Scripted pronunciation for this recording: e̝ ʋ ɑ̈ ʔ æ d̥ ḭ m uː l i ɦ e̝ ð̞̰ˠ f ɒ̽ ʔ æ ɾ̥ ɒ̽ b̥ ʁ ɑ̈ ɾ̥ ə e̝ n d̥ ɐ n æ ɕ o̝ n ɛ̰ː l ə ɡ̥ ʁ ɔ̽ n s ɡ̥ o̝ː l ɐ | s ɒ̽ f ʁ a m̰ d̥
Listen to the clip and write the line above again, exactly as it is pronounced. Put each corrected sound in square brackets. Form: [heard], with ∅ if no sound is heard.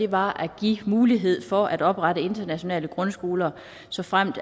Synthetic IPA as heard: e̝ ʋ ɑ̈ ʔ æ [ɡ̥] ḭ m uː l i ɦ e̝ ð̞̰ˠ f ɒ̽ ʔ æ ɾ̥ ɒ̽ b̥ ʁ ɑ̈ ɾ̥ ə e̝ n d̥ ɐ n æ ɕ o̝ n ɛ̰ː l ə ɡ̥ ʁ ɔ̽ n s ɡ̥ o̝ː l ɐ | s ɒ̽ f ʁ a m̰ d̥